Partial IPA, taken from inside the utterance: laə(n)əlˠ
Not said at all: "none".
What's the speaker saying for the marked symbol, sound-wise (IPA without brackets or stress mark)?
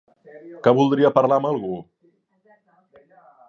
m